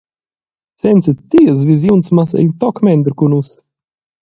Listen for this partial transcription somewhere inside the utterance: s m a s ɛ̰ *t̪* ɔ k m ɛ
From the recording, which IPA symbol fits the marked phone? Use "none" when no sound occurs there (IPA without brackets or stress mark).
t̪